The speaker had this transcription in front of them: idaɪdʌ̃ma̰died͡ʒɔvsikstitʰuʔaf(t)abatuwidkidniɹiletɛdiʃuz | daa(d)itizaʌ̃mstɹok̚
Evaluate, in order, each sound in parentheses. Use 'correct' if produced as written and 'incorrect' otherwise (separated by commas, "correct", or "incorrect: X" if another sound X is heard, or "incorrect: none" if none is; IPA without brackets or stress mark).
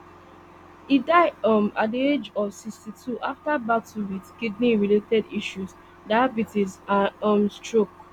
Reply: correct, incorrect: b